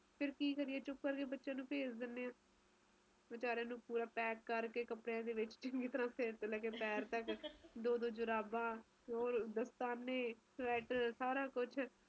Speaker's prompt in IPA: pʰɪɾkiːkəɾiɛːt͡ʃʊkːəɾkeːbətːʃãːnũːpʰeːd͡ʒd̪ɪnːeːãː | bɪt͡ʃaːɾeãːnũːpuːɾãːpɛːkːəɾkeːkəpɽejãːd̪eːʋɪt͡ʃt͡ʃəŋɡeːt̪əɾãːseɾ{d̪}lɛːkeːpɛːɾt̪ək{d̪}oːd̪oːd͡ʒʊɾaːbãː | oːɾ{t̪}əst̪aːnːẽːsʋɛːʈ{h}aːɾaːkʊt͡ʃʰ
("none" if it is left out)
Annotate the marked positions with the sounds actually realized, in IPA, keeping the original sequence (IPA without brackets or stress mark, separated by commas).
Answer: t̪, d̪, d̪, s